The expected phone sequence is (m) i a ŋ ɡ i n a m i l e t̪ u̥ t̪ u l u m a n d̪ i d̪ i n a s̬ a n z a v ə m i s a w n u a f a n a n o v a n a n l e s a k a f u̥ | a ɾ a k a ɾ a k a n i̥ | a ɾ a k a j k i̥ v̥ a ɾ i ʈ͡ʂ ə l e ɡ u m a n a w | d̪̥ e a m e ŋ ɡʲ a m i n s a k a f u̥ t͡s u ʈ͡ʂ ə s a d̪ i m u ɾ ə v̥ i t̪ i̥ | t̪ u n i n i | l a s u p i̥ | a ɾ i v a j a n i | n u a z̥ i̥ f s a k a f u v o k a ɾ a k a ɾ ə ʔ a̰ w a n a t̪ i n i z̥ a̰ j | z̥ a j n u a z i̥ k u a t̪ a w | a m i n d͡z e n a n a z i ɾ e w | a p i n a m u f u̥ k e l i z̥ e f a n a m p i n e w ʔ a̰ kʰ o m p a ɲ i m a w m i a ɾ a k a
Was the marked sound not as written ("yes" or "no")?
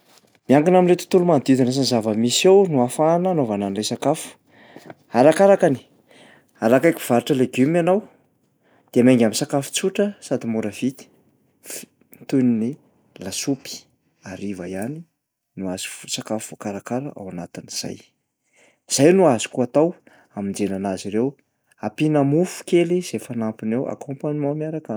no